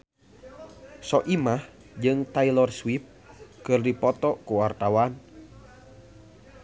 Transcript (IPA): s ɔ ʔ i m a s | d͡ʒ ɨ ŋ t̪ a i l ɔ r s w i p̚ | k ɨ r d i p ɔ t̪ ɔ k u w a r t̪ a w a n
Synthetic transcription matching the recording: s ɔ ʔ i m a h | d͡ʒ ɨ ŋ t̪ a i l ɔ r s w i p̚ | k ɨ r d i p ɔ t̪ ɔ k u w a r t̪ a w a n